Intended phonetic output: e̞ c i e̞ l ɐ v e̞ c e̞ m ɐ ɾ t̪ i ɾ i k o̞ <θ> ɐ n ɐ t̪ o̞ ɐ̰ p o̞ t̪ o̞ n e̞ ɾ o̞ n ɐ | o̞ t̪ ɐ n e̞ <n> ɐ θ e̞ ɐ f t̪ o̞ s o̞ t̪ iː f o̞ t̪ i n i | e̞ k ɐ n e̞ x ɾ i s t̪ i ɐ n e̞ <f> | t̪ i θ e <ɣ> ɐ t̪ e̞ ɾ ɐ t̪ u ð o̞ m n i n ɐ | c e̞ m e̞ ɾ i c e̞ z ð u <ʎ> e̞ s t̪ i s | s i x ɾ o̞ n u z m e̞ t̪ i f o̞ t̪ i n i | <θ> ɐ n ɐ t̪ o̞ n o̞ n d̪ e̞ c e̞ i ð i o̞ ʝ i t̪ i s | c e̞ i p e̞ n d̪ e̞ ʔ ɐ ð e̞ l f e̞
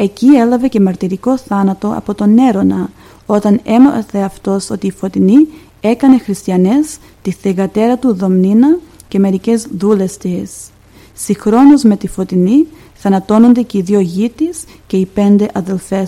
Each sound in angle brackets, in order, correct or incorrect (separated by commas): correct, incorrect, incorrect, correct, incorrect, correct